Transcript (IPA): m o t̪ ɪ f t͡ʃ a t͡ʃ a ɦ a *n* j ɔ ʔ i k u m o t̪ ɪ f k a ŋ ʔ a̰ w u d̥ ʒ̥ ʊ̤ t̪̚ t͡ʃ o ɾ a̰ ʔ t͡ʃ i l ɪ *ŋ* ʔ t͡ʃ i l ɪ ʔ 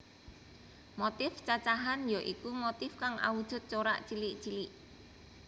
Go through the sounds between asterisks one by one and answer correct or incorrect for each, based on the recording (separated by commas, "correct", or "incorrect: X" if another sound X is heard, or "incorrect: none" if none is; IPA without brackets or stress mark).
correct, incorrect: none